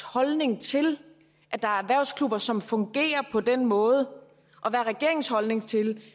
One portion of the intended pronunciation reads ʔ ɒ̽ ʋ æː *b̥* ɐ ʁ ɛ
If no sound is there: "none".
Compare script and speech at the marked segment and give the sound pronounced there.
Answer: none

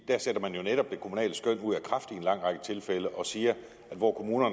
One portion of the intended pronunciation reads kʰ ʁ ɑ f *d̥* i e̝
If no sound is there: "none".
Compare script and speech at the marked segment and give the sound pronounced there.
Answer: d̥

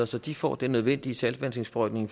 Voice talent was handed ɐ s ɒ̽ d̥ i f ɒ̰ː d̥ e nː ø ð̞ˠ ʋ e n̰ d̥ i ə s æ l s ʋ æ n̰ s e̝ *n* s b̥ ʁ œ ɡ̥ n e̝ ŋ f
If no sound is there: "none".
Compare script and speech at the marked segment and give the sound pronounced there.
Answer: ŋ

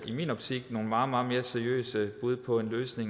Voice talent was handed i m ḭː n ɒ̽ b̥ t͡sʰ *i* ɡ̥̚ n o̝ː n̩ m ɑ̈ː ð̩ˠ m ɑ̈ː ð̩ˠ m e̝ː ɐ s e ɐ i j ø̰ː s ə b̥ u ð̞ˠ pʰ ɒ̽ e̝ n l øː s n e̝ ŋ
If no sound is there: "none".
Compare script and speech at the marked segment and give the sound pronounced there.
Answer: i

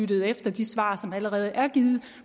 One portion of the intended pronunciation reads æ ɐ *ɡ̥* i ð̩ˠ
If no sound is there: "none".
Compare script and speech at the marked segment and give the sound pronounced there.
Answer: ɡ̥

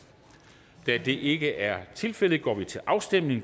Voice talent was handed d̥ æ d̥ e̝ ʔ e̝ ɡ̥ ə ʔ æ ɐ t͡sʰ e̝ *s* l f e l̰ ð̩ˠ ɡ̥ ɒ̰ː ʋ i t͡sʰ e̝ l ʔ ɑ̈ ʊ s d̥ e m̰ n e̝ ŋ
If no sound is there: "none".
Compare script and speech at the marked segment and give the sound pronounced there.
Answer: none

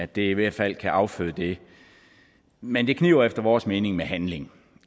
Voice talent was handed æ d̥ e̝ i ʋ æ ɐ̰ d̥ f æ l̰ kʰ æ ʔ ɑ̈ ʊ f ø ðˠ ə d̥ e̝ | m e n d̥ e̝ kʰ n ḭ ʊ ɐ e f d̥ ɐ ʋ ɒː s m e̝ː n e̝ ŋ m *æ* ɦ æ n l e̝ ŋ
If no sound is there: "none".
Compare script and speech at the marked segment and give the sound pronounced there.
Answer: e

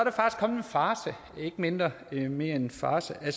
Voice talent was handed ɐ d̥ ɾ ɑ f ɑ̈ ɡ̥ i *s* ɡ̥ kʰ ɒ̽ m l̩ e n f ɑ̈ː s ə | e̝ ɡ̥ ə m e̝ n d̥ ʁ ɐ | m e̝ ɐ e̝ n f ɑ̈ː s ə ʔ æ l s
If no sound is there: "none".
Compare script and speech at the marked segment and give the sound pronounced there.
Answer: s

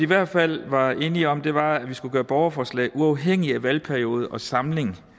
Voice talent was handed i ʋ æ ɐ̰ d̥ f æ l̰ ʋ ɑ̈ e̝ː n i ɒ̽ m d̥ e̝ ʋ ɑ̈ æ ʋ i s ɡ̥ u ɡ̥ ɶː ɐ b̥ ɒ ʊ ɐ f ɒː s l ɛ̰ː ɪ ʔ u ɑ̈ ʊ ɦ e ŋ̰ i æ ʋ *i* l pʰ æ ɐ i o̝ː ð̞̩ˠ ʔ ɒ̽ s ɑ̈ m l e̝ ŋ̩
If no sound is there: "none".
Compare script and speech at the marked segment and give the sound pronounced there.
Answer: æ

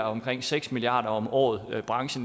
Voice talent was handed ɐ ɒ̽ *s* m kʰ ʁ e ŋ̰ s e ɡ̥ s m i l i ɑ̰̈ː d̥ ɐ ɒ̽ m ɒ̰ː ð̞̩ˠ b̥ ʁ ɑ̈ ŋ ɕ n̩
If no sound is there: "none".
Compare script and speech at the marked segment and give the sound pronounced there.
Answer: none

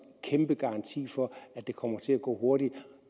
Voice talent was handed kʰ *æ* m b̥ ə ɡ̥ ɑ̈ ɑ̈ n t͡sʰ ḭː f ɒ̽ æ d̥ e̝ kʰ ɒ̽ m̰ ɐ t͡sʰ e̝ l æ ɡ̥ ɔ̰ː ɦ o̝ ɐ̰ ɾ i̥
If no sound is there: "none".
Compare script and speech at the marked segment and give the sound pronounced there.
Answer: e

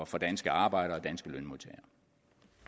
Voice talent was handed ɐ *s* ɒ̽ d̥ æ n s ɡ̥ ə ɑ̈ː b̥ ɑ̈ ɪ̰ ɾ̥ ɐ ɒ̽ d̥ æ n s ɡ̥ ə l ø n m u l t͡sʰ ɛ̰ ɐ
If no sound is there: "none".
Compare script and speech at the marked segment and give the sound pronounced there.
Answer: f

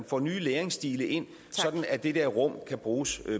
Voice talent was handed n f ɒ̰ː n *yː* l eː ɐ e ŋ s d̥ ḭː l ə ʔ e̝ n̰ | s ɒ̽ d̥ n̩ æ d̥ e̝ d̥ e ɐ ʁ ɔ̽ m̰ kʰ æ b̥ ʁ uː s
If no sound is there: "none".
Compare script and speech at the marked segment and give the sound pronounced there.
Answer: yː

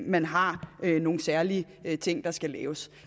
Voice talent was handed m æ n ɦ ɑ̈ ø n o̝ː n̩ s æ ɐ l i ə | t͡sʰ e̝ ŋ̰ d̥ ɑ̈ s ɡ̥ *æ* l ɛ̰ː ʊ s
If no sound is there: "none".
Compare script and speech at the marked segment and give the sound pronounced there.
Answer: æ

